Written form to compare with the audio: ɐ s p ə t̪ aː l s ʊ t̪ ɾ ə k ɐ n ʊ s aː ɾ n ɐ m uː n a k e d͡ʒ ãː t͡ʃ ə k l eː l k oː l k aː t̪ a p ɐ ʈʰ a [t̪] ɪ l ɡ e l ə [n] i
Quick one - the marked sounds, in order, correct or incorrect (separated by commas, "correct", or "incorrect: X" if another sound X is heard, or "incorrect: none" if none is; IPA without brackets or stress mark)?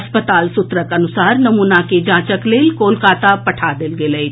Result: incorrect: d̪, incorrect: none